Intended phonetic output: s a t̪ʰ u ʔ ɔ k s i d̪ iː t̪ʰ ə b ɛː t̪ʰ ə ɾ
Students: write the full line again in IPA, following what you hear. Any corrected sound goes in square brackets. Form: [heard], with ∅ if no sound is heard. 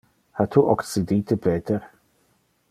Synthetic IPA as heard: [h] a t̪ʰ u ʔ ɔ k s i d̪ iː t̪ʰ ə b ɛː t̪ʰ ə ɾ